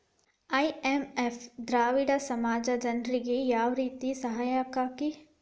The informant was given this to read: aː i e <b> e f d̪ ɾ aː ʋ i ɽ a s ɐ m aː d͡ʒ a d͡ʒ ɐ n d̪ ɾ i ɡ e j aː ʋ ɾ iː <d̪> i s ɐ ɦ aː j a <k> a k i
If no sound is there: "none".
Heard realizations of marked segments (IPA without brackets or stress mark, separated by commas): m, t̪, k